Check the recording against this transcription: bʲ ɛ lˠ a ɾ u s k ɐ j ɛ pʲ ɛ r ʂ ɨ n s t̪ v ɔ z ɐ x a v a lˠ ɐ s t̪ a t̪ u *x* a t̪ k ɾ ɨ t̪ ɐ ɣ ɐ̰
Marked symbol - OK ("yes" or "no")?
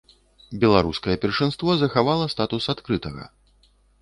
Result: no